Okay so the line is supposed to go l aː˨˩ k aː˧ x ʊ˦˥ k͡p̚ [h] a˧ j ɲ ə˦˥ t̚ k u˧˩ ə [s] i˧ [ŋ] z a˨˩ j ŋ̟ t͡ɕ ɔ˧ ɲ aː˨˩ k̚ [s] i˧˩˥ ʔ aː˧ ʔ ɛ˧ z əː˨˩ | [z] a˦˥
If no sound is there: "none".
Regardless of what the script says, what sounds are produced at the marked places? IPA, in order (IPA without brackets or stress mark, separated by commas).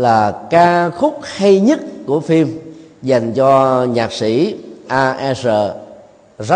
h, f, m, s, z